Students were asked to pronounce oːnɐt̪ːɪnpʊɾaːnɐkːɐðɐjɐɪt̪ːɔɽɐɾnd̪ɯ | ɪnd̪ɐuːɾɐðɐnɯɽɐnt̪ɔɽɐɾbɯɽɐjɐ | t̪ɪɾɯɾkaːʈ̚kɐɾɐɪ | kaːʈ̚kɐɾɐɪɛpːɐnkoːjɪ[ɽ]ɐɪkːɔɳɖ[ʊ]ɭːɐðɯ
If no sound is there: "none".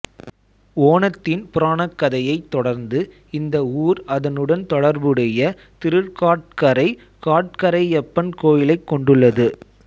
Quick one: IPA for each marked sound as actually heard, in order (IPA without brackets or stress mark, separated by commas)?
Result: l, ɯ